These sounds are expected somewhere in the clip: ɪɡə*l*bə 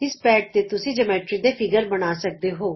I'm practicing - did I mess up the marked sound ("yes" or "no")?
yes